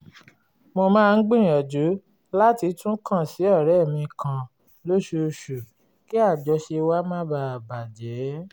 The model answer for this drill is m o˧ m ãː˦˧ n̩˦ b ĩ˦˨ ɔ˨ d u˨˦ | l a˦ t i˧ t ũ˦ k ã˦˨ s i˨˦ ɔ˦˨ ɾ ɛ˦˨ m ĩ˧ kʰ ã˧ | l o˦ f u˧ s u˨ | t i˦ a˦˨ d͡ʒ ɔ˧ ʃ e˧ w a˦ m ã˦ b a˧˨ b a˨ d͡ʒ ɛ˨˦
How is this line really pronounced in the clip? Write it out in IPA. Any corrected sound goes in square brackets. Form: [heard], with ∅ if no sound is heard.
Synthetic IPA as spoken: m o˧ m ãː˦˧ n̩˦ [ɡ͡b] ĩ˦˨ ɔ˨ [d͡ʒ] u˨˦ | l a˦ t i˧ t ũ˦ k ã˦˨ s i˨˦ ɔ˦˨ ɾ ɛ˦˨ m ĩ˧ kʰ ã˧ | l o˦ [ʃ] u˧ [ʃ] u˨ | [k] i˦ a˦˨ d͡ʒ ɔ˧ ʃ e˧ w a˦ m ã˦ b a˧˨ b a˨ d͡ʒ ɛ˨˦